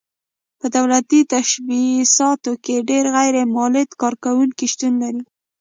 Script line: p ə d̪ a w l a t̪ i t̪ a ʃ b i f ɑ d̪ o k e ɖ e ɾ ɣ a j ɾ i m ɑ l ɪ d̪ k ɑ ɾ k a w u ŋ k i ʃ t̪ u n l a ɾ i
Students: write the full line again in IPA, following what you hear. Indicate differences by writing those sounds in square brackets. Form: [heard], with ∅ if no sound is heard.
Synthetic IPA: p ə d̪ a w l a t̪ i t̪ a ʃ b i [s] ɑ [t̪] o k e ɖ e ɾ ɣ a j ɾ [e] m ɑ l ɪ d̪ k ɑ ɾ k a w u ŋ k i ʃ t̪ u n l a ɾ i

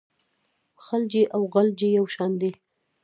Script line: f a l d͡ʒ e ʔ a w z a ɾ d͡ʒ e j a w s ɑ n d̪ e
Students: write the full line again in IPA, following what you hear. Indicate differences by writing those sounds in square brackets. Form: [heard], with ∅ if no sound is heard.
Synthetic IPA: [x] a l d͡ʒ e ʔ a w [ɣ] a [l] d͡ʒ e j a w [ʃ] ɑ n d̪ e

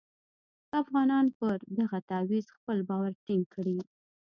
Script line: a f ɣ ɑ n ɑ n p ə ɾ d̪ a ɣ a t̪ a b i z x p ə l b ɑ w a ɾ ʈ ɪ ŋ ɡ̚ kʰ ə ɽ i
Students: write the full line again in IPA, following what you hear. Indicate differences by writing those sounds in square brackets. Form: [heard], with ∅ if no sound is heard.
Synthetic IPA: a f ɣ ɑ n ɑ n p ə ɾ d̪ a ɣ a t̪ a [w] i z x p ə l b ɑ w a ɾ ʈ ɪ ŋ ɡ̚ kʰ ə ɽ i

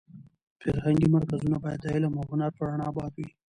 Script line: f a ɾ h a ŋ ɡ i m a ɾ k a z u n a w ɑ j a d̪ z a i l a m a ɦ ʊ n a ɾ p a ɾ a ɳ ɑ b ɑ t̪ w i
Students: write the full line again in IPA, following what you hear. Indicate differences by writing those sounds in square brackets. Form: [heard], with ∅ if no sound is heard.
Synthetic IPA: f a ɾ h a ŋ ɡ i m a ɾ k a z u n a [b] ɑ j a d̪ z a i l a m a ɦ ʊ n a ɾ p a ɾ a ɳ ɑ b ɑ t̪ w i

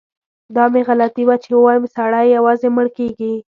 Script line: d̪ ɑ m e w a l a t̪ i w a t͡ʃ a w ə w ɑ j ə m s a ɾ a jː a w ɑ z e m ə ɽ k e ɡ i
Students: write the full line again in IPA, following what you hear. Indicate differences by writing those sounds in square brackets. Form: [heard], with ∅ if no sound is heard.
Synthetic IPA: d̪ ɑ m e [ɣ] a l a t̪ i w a t͡ʃ [e] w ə w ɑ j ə m s a [ɽ] a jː a w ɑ z e m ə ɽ k e ɡ i

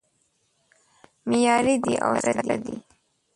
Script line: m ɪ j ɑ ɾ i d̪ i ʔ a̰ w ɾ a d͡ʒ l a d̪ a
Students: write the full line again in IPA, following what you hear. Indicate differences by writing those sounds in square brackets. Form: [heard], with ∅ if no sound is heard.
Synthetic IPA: m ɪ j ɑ ɾ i d̪ i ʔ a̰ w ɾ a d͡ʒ l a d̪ [i]

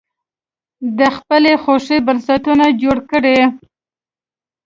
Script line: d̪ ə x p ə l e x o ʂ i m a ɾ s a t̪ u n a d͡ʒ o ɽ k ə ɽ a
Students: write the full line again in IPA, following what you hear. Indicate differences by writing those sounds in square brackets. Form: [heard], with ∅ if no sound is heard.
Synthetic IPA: d̪ ə x p ə l e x o ʂ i [b] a ɾ s a t̪ u n a d͡ʒ o ɽ k ə ɽ [e]

